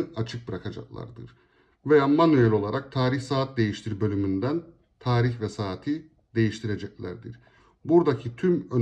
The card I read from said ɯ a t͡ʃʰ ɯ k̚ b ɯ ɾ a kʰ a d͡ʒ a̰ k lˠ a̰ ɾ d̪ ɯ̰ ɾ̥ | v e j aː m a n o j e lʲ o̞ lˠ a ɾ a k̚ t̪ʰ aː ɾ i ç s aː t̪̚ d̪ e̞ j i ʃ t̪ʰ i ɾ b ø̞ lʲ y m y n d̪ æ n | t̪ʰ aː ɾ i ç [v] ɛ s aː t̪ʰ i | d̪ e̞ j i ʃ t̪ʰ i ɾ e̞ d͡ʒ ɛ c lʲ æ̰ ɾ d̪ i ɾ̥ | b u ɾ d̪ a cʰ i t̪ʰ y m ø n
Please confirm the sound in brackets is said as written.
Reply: yes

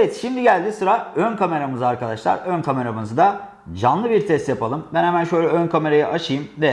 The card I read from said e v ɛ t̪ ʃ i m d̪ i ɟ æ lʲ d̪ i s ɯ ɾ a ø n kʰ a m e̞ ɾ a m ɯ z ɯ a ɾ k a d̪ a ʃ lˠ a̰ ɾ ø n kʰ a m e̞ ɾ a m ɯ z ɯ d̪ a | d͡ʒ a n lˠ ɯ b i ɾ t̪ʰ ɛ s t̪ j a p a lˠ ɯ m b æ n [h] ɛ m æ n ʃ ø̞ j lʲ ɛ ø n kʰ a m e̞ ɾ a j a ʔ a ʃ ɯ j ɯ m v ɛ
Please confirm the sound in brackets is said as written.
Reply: yes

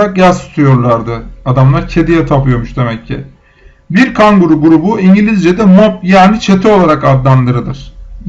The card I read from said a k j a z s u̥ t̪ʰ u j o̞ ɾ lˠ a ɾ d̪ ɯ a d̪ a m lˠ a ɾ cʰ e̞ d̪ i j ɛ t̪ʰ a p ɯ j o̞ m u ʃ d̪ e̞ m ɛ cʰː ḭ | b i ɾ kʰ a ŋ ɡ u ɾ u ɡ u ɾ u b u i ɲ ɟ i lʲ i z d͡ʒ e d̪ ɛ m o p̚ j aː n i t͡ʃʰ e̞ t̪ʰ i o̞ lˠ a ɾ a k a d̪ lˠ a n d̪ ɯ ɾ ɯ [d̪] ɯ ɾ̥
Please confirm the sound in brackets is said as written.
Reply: yes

